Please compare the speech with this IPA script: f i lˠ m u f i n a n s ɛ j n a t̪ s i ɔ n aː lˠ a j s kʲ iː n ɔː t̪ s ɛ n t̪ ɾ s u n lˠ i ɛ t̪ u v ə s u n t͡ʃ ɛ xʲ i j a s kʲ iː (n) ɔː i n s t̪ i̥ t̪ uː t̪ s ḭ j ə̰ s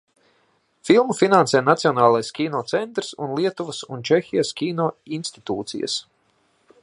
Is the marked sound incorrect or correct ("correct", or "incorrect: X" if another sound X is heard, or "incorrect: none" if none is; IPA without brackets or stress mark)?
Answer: correct